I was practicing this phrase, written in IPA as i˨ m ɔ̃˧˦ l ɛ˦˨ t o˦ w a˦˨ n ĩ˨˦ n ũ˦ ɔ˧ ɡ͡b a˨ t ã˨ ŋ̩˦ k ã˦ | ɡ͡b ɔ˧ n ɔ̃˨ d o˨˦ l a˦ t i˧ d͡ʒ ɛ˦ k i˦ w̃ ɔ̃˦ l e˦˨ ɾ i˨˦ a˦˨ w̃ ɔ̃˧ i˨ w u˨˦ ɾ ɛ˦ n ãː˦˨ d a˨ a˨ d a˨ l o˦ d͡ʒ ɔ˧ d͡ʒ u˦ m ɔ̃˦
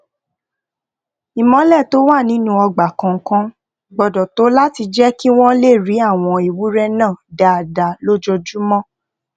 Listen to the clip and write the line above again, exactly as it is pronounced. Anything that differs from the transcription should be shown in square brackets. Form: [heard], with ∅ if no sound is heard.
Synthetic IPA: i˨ m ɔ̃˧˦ l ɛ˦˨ t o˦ w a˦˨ n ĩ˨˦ n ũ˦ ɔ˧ ɡ͡b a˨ [k] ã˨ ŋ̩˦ k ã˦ | ɡ͡b ɔ˧ [d] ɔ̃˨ [t] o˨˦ l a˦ t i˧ d͡ʒ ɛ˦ k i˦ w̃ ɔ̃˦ l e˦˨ ɾ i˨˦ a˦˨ w̃ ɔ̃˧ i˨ w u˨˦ ɾ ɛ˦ n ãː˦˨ d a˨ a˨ d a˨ l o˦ d͡ʒ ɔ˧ d͡ʒ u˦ m ɔ̃˦